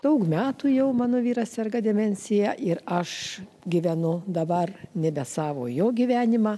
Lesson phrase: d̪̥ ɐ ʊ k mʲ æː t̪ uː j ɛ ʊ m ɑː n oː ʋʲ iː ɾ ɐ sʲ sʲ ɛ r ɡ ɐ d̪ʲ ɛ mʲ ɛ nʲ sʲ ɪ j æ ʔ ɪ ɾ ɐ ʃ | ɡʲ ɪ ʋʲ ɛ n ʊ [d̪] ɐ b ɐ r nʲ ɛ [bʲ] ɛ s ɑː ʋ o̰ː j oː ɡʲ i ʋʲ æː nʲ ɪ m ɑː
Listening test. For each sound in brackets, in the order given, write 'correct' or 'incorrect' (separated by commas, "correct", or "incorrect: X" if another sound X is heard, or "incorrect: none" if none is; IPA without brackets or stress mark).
correct, correct